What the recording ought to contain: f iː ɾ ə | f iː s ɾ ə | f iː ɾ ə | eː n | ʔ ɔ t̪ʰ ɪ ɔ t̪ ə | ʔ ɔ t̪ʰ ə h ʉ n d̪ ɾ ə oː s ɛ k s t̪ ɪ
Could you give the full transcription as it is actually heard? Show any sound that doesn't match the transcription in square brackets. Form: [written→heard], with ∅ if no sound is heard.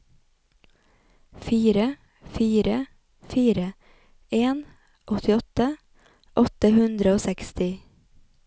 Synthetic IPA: f iː ɾ ə | f iː [s→∅] ɾ ə | f iː ɾ ə | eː n | ʔ ɔ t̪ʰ ɪ ɔ t̪ ə | ʔ ɔ [t̪ʰ→t̪] ə h ʉ n d̪ ɾ ə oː s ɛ k s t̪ ɪ